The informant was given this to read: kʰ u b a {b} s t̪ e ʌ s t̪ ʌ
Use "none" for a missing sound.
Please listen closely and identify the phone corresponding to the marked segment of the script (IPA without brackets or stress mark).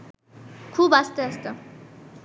none